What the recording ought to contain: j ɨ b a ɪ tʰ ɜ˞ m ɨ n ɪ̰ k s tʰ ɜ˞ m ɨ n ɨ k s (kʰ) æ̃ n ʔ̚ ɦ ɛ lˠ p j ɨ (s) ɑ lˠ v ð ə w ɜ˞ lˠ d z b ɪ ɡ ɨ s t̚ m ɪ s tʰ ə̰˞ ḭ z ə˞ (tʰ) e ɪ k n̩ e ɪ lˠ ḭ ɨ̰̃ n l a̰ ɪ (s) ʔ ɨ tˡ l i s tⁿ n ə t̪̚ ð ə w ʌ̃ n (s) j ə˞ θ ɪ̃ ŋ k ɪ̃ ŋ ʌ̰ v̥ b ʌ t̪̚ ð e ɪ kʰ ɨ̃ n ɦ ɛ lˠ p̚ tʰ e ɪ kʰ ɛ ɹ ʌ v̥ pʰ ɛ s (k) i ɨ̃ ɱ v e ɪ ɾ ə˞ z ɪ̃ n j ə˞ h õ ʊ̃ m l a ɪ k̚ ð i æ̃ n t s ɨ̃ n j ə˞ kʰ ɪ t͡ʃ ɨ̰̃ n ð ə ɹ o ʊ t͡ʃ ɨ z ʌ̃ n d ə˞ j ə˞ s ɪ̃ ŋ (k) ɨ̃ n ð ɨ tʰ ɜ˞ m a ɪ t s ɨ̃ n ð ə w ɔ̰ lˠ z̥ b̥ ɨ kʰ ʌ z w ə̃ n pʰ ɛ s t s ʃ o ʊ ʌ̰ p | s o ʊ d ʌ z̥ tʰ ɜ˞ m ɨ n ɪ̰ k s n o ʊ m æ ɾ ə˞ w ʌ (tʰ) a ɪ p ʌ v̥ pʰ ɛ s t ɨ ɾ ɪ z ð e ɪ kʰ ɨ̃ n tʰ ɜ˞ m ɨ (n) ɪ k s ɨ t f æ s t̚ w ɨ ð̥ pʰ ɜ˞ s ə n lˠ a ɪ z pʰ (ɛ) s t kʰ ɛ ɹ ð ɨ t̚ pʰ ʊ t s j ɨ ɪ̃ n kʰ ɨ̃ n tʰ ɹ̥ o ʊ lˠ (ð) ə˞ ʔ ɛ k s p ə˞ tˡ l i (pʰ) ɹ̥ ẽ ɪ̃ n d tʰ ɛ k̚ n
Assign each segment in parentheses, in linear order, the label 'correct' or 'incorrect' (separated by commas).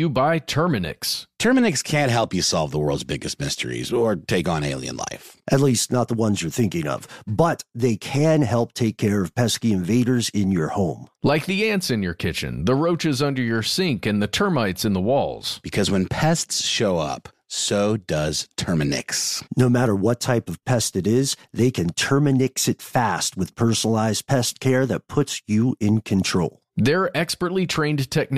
correct, correct, correct, incorrect, incorrect, correct, correct, correct, correct, correct, correct, incorrect